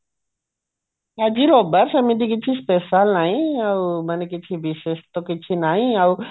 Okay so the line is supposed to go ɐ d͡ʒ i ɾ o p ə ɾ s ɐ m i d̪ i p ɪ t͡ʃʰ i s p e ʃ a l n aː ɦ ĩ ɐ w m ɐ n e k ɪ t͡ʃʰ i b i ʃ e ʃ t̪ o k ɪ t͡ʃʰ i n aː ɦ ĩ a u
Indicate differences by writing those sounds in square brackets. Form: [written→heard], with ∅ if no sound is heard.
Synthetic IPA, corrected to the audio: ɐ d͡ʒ i ɾ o [p→b] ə ɾ s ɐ m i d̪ i [p→k] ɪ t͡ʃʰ i s p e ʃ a l n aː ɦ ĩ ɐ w m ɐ n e k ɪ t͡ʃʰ i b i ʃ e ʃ t̪ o k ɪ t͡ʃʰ i n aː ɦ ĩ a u